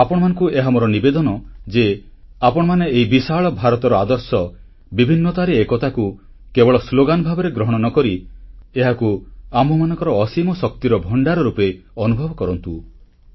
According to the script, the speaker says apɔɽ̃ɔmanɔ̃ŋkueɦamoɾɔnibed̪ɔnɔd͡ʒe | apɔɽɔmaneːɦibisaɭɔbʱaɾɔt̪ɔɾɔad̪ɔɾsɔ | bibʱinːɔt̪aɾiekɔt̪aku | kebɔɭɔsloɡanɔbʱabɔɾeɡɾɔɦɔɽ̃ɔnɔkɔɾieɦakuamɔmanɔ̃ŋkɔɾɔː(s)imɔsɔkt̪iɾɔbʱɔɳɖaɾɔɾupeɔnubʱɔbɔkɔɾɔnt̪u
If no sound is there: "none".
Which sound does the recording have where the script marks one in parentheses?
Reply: s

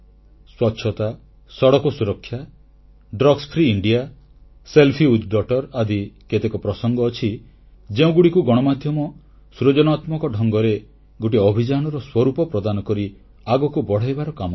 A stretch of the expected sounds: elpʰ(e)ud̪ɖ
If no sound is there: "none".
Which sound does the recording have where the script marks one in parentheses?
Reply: i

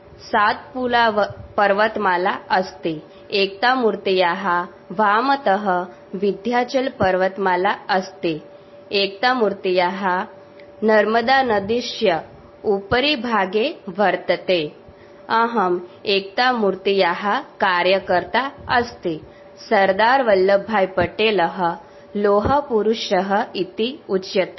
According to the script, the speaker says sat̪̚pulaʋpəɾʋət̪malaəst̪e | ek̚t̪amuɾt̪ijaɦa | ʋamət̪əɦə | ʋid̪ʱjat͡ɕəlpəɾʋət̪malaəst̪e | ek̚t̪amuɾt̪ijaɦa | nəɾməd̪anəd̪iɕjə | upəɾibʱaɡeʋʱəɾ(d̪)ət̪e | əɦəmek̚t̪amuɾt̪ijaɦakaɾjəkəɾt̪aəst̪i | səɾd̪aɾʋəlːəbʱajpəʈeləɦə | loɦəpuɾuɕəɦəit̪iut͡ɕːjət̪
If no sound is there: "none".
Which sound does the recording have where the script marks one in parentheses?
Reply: t̪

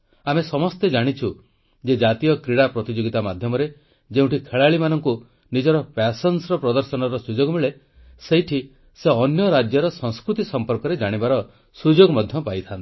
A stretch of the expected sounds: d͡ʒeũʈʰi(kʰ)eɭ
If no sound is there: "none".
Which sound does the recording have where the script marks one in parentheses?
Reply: kʰ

